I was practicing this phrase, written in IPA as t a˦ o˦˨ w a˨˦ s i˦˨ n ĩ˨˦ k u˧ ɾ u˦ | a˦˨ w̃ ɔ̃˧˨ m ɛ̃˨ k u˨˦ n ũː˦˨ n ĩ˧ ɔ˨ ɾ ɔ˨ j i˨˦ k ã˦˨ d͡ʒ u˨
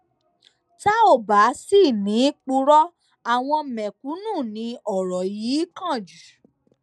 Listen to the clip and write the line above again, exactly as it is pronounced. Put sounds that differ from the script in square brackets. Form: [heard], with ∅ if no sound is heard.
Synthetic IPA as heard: t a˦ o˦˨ [b] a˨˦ s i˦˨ n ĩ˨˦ [k͡p] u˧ ɾ [ɔ˦] | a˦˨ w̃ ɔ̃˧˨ m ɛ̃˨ k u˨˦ n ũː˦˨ n ĩ˧ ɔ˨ ɾ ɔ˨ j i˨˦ k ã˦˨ d͡ʒ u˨

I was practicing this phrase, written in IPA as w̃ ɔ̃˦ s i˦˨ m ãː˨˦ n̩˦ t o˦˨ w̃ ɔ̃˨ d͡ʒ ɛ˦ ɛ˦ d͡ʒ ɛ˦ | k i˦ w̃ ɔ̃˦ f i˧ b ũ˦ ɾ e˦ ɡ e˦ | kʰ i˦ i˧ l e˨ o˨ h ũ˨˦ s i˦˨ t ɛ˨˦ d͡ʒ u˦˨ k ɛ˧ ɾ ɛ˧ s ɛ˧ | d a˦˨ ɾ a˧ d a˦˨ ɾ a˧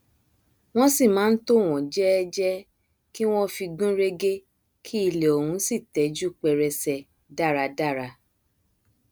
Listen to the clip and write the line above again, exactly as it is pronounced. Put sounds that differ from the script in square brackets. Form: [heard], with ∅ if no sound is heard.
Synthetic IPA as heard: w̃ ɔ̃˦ s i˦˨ m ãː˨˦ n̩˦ t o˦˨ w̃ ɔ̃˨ d͡ʒ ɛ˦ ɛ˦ d͡ʒ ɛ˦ | k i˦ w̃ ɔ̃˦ f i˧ [ɡ] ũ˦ ɾ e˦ ɡ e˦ | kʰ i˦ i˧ l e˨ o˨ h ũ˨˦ s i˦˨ t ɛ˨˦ d͡ʒ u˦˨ [k͡p] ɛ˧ ɾ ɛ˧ s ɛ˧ | d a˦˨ ɾ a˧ d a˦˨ ɾ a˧

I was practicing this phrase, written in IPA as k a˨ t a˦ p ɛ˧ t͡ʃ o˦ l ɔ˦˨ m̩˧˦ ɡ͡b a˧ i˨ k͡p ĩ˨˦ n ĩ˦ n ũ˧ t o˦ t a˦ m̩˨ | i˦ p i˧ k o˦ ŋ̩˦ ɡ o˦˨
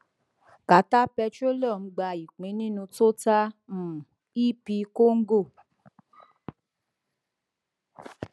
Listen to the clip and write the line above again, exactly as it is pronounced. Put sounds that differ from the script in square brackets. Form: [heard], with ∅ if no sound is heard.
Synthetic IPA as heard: k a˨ t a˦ p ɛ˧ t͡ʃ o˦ l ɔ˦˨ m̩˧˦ ɡ͡b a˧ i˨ k͡p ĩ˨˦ n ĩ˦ n ũ˧ t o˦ t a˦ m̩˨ | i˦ p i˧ k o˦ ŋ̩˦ ɡ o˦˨

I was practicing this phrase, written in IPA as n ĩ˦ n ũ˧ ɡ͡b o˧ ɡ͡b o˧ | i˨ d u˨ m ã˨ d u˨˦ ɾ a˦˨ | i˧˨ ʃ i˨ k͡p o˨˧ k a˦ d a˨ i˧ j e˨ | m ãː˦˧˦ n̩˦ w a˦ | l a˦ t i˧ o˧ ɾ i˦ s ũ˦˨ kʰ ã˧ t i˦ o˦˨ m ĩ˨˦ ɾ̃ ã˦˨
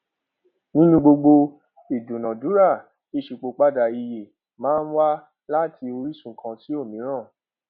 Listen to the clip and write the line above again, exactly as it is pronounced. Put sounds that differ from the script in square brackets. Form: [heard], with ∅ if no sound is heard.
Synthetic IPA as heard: n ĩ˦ n ũ˧ ɡ͡b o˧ ɡ͡b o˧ | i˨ d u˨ [n] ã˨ d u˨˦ ɾ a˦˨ | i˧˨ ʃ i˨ k͡p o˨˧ [k͡p] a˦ d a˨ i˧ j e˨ | m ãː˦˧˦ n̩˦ w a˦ | l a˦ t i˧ o˧ ɾ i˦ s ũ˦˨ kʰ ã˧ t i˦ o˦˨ m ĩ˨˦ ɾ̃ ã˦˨

